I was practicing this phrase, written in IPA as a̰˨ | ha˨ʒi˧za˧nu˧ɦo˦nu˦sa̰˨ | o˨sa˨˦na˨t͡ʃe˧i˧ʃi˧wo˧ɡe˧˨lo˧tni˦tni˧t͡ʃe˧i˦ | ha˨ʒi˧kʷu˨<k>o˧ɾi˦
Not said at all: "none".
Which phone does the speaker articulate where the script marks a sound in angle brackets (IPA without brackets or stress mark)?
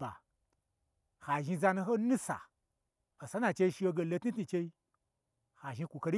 k